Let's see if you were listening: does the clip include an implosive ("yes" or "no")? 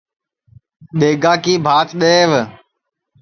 yes